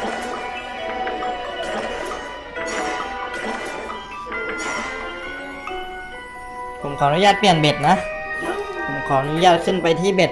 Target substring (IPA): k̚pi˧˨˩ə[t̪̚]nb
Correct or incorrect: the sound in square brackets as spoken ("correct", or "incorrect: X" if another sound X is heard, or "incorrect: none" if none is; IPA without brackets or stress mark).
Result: incorrect: none